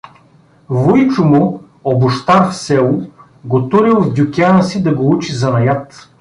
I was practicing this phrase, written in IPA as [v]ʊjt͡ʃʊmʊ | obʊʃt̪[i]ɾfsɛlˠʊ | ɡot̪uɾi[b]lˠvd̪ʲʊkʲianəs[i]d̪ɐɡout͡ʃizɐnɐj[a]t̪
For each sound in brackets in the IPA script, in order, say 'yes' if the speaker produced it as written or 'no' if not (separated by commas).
yes, no, no, yes, yes